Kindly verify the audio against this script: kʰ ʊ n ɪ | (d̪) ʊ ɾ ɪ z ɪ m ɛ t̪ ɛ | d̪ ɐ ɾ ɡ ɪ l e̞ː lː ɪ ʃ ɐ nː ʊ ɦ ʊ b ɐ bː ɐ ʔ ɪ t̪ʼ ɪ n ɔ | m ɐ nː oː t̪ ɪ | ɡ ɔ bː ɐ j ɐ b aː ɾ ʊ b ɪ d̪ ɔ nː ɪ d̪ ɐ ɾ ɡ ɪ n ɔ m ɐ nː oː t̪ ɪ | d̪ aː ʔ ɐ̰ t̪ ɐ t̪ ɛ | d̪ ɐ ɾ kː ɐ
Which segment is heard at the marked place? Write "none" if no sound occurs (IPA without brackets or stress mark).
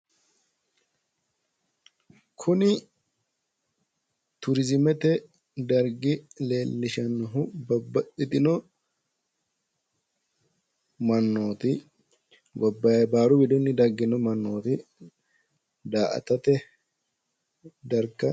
t̪